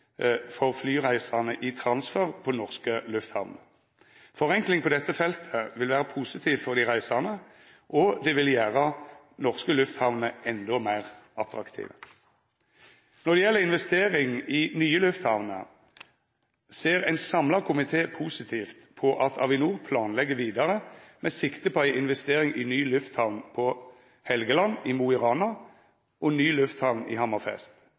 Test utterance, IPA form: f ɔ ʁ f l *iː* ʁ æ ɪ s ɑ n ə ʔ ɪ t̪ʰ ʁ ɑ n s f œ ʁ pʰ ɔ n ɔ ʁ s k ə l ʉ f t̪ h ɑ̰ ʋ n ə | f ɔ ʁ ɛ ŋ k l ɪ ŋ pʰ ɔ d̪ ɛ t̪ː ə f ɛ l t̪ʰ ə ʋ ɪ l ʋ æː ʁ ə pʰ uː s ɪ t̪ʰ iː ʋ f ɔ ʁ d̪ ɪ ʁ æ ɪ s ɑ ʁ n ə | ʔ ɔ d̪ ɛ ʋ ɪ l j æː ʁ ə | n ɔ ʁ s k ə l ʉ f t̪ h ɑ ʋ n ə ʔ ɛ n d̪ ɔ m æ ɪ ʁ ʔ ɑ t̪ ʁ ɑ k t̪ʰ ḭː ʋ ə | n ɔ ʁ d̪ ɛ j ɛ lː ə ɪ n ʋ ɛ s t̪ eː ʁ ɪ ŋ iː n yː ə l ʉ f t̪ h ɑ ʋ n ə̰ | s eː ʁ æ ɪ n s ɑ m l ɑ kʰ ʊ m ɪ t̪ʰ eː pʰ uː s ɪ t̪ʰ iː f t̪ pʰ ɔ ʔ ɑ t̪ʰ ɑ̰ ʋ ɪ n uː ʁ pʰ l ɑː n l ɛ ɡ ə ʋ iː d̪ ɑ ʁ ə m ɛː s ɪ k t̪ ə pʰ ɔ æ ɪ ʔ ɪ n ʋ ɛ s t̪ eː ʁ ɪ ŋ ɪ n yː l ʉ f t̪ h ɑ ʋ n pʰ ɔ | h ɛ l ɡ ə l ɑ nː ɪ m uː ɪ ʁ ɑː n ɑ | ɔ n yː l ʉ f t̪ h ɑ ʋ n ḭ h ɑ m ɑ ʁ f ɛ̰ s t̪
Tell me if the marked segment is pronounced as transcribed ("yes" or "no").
no